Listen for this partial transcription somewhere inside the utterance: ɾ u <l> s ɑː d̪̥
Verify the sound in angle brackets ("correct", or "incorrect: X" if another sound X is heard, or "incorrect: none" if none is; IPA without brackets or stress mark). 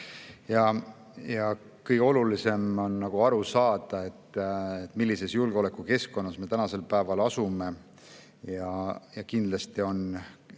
incorrect: none